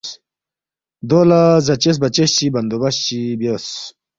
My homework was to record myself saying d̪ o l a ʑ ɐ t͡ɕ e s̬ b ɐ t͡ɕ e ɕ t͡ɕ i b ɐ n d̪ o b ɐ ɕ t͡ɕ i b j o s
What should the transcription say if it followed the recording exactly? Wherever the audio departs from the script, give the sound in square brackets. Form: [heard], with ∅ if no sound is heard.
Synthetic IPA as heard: d̪ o l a [z] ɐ t͡ɕ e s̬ b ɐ t͡ɕ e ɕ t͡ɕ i b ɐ n d̪ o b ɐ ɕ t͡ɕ i b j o s